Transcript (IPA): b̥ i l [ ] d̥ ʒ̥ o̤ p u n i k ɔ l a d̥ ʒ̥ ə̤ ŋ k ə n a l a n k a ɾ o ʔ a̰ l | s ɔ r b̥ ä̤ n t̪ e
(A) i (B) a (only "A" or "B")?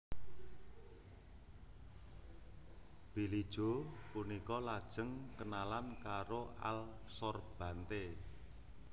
A